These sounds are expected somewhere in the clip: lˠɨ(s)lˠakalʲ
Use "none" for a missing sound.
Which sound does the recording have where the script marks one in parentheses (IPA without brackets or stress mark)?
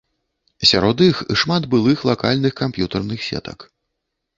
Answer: x